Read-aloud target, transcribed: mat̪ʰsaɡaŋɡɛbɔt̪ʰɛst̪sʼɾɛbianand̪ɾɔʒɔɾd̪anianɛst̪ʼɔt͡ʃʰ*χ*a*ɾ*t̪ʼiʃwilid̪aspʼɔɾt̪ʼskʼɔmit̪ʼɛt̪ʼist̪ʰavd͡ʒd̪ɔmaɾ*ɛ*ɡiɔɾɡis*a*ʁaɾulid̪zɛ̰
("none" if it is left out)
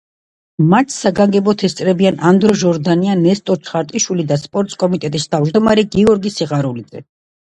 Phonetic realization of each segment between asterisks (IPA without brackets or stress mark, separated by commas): χ, ɾ, ɛ, i